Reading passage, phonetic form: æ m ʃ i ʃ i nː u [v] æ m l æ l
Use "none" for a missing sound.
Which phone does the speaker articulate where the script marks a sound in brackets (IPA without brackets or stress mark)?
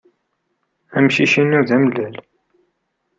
ð